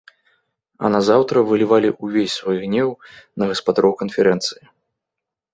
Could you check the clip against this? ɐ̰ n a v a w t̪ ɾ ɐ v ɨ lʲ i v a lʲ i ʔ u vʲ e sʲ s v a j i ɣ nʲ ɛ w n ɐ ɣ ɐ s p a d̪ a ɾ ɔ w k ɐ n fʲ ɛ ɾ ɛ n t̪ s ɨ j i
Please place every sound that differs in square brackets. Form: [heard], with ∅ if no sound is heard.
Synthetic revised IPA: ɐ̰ n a [z] a w t̪ ɾ ɐ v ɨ lʲ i v a lʲ i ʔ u vʲ e sʲ s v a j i ɣ nʲ ɛ w n ɐ ɣ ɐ s p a d̪ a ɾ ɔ w k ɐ n fʲ ɛ ɾ ɛ n t̪ s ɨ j i